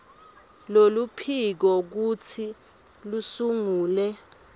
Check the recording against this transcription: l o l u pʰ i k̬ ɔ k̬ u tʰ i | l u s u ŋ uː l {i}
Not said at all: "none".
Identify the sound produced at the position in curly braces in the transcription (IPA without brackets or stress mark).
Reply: ɛ